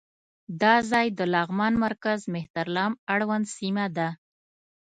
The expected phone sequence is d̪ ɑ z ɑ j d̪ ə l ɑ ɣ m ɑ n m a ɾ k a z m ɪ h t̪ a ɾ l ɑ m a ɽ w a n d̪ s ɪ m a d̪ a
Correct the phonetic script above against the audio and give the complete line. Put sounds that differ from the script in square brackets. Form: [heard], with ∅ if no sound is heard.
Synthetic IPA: d̪ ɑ z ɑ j d̪ ə l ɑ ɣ m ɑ n m a ɾ k a z m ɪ h t̪ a ɾ l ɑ m a ɽ w a n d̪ s [i] m a d̪ a